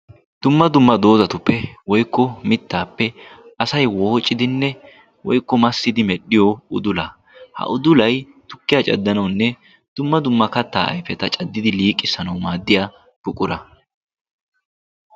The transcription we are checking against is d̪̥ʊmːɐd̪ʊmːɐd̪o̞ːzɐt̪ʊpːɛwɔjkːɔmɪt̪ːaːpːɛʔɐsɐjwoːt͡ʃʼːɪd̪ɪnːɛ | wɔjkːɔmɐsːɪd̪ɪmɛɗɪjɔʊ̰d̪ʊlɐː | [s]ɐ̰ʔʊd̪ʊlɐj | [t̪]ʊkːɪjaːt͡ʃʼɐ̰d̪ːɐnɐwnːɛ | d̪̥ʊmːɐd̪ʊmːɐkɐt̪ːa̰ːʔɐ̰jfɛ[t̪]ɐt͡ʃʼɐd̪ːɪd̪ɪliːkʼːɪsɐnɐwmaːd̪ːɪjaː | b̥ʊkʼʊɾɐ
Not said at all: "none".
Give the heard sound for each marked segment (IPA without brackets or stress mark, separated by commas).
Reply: h, t̪, t̪